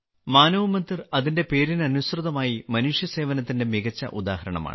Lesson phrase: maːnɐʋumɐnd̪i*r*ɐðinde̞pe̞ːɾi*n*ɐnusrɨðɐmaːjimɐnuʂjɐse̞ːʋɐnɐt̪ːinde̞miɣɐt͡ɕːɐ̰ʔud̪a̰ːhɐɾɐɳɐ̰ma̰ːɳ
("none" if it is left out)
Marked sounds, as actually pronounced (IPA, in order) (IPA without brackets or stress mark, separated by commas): r, n